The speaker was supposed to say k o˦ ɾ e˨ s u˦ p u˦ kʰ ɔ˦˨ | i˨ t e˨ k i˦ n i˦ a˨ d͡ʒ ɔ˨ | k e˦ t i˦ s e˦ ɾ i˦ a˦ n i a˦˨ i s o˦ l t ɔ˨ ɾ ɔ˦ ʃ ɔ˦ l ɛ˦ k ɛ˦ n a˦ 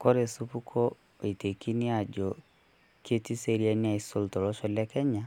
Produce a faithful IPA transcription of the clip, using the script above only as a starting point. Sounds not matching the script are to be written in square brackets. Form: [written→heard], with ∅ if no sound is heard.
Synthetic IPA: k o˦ ɾ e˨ s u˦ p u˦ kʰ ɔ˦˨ | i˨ t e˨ k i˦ n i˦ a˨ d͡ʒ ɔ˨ | k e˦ t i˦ s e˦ ɾ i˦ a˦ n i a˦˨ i s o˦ l t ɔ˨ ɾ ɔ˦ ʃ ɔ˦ l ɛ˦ k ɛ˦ [n→ɲ] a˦